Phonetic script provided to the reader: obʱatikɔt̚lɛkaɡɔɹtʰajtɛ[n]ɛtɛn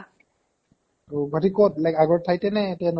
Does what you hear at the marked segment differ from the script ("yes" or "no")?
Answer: no